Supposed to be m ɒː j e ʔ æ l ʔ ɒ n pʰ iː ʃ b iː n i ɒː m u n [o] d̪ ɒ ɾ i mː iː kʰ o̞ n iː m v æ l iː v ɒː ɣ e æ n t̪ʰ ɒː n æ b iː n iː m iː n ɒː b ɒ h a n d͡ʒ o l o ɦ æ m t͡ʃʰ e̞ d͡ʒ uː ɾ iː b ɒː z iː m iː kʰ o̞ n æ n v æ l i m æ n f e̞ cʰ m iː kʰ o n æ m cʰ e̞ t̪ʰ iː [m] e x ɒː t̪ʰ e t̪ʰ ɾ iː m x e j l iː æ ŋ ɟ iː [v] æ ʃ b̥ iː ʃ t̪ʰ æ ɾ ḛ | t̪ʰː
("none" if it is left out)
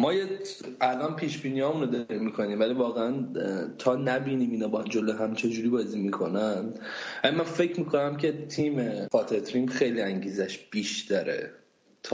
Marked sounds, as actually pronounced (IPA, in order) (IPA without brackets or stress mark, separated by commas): o, m, z